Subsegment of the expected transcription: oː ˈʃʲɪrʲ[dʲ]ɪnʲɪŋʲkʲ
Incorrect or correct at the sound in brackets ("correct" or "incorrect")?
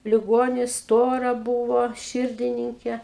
correct